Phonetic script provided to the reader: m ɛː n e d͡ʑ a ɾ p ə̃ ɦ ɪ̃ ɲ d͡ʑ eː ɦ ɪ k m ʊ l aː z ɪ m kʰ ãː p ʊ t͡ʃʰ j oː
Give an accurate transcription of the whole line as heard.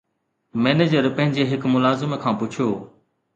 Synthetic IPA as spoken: m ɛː n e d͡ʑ ə ɾ p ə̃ ɦ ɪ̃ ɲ d͡ʑ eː ɦ ɪ k m ʊ l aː z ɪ m kʰ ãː p ʊ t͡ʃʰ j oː

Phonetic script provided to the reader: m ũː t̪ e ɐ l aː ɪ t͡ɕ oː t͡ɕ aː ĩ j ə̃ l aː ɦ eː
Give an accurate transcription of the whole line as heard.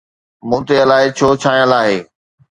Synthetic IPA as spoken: m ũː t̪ e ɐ l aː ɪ t͡ɕʰ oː t͡ɕʰ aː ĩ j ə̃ l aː ɦ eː

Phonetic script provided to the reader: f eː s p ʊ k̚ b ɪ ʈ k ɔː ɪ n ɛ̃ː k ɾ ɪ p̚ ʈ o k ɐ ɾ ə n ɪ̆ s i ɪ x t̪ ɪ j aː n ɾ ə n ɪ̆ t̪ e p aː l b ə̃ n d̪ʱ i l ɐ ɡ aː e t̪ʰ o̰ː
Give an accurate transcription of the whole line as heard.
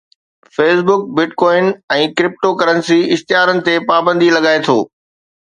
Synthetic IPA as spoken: f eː s b ʊ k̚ b ɪ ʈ k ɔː ɪ n ɛ̃ː k ɾ ɪ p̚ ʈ o k ɐ ɾ ə n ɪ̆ s i ɪ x t̪ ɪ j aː ɾ ə n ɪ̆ t̪ e p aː b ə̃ n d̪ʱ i l ɐ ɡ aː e t̪ʰ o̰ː

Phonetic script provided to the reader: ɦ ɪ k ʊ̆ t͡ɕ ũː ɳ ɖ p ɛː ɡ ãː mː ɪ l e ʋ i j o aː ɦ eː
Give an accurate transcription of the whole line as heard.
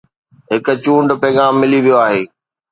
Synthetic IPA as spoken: ɦ ɪ k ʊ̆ t͡ɕ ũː ɳ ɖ p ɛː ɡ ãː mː ɪ l i ʋ i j o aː ɦ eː

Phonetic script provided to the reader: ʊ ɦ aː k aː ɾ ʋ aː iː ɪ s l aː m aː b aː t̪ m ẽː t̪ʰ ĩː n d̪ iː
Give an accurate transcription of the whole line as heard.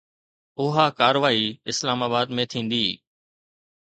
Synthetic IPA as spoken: ʊ ɦ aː k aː ɾ ʋ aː iː ɪ s l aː m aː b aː d̪ m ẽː t̪ʰ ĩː n d̪ iː

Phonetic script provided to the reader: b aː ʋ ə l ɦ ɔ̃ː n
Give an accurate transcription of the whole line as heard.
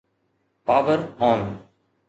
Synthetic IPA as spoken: p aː ʋ ə ɾ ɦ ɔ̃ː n

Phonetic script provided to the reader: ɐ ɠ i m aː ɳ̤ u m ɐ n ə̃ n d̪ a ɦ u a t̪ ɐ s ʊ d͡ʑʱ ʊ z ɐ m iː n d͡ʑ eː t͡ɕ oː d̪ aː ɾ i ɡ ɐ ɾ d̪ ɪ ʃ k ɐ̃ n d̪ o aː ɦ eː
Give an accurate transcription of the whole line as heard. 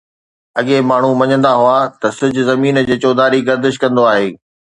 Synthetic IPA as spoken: ɐ ɠ e m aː ɳ̤ u m ɐ ɲ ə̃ n d̪ a ɦ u a t̪ ɐ s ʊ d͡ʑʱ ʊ z ɐ m iː n d͡ʑ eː t͡ɕ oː d̪ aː ɾ i ɡ ɐ ɾ d̪ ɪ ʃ k ɐ̃ n d̪ o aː ɦ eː

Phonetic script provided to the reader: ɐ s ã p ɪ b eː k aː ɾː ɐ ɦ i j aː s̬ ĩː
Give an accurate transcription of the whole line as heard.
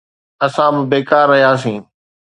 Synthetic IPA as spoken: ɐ s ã b ɪ b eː k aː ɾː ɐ ɦ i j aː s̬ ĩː

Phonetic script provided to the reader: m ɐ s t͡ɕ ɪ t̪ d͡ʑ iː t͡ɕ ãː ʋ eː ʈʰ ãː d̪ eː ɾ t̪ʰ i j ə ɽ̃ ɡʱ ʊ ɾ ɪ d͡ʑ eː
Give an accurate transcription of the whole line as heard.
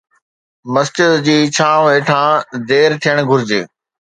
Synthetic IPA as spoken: m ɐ s t͡ɕ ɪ d̪ d͡ʑ iː t͡ɕʰ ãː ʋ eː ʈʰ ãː d̪ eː ɾ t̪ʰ i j ə ɽ̃ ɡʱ ʊ ɾ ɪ d͡ʑ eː

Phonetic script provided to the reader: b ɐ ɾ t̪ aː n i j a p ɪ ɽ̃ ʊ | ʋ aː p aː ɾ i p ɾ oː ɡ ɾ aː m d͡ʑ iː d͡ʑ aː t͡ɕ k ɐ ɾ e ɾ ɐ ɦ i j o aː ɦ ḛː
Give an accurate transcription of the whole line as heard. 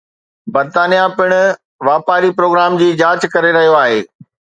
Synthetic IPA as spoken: b ɐ ɾ t̪ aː n i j a p ɪ ɽ̃ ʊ | ʋ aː p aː ɾ i p ɾ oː ɡ ɾ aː m d͡ʑ iː d͡ʑ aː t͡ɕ k ɐ ɾ e ɾ ɐ ɦ i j o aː ɦ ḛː

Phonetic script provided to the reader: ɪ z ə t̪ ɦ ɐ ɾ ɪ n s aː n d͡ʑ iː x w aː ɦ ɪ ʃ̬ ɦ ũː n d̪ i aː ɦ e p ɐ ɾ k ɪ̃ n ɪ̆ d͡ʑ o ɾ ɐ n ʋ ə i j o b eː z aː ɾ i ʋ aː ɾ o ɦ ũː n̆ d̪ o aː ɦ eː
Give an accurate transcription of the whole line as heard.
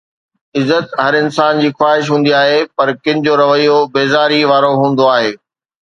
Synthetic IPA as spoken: ɪ z ə t̪ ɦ ɐ ɾ ɪ n s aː n d͡ʑ iː x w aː ɦ ɪ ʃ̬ ɦ ũː n d̪ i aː ɦ e p ɐ ɾ k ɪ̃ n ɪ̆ d͡ʑ o ɾ ɐ ʋ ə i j o b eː z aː ɾ i ʋ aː ɾ o ɦ ũː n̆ d̪ o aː ɦ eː

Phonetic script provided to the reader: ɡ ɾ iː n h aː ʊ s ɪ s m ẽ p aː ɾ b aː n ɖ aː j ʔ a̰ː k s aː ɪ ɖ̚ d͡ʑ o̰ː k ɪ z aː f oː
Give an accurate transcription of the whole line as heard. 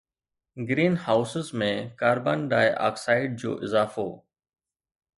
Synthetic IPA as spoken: ɡ ɾ iː n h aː ʊ s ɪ z m ẽ k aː ɾ b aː n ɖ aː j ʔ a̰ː k s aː ɪ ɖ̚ d͡ʑ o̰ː ʔ ɪ z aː f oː

